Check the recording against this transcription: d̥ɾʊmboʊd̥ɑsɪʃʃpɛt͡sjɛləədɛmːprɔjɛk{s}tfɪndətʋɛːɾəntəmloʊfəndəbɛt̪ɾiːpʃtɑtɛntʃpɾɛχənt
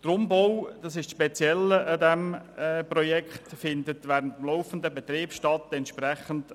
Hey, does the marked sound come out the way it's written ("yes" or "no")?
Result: no